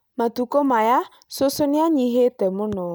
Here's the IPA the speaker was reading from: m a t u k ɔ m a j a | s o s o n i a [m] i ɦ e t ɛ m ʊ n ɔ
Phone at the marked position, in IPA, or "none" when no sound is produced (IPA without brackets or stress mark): ɲ